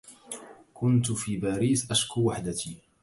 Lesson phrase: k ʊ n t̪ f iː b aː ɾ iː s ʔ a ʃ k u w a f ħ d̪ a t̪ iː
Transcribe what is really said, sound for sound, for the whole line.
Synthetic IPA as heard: k ʊ n t̪ f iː b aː ɾ iː s ʔ a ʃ k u w a ħ d̪ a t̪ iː